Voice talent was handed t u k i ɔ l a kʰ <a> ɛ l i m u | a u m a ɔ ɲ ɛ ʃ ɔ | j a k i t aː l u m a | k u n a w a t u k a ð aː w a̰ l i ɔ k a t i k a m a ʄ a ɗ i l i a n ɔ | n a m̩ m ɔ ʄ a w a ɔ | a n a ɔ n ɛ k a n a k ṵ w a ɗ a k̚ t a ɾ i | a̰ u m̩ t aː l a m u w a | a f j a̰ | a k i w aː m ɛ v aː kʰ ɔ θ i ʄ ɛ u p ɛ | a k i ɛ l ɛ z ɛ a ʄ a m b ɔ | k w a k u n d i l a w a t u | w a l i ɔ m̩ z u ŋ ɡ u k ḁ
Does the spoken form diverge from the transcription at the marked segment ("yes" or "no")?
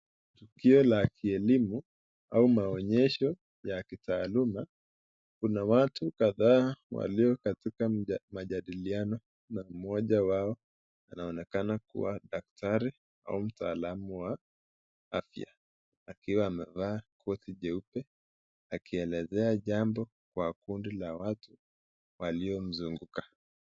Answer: yes